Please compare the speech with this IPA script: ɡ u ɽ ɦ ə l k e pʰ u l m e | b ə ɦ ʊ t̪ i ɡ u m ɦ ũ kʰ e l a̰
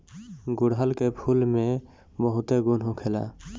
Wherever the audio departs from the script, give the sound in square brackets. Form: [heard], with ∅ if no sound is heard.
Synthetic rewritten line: ɡ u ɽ ɦ ə l k e pʰ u l m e | b ə ɦ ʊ t̪ [e] ɡ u [n] ɦ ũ kʰ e l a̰